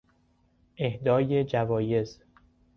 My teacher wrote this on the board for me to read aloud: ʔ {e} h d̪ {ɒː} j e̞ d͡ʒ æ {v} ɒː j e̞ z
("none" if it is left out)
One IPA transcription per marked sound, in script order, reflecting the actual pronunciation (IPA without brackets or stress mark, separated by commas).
e, ɒː, v